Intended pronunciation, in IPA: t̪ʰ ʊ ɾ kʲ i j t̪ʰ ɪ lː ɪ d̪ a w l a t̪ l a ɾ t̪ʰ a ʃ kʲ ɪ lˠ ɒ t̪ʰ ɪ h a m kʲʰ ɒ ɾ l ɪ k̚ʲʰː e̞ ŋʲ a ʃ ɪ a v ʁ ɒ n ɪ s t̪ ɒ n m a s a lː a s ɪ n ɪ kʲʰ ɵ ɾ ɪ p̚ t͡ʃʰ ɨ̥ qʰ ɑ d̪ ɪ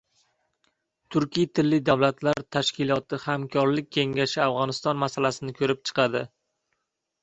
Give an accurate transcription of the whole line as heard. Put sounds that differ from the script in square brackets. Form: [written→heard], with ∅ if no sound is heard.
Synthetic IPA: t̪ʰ ʊ ɾ kʲ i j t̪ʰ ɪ lː ɪ d̪ a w l a t̪ l a ɾ t̪ʰ a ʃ kʲ ɪ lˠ ɒ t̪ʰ ɪ h a m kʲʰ ɒ ɾ l ɪ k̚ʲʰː e̞ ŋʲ a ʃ ɪ a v ʁ ɒ n ɪ s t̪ ɒ n m a s a [lː→l] a s ɪ n ɪ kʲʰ ɵ ɾ ɪ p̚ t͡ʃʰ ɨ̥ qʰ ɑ d̪ ɪ